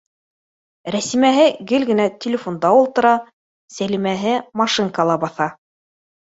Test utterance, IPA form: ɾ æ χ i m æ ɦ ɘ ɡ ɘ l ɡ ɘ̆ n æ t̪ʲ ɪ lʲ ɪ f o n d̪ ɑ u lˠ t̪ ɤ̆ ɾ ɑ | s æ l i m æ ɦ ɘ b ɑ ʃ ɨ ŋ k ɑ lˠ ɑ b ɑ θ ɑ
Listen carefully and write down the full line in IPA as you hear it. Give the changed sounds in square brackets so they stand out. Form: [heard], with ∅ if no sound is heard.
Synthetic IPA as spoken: ɾ æ [s] i m æ ɦ ɘ ɡ ɘ l ɡ ɘ̆ n æ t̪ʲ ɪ lʲ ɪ f o n d̪ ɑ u lˠ t̪ ɤ̆ ɾ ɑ | s æ l i m æ ɦ ɘ [m] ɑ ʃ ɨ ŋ k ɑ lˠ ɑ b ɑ θ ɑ